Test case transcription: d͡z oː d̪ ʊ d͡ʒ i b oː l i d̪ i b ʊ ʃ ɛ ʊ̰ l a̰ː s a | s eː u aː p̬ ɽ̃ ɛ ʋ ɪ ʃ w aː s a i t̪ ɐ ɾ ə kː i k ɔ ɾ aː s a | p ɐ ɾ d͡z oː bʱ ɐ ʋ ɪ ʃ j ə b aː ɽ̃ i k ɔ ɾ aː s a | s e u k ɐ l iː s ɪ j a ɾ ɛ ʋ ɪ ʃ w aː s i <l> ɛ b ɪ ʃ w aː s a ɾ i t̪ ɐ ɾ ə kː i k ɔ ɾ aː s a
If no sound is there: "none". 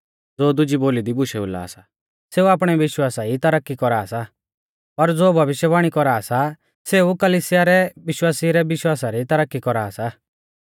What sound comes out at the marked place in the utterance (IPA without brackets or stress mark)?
ɾ